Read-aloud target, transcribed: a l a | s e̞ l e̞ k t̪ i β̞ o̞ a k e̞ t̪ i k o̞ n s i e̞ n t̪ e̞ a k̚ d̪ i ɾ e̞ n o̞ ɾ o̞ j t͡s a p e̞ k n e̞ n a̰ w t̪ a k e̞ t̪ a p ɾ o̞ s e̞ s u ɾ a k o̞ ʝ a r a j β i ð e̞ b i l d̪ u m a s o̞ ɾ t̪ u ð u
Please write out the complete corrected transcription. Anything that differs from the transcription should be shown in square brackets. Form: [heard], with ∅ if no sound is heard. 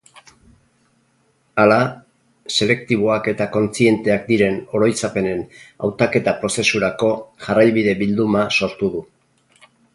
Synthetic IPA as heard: a l a | s e̞ l e̞ k t̪ i β̞ o̞ a k e̞ t̪ [a] k o̞ n [t͡s] i e̞ n t̪ e̞ a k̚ d̪ i ɾ e̞ n o̞ ɾ o̞ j t͡s a p e̞ [∅] n e̞ n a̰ w t̪ a k e̞ t̪ a p ɾ o̞ s e̞ s u ɾ a k o̞ ʝ a r a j β i ð e̞ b i l d̪ u m a s o̞ ɾ t̪ u ð u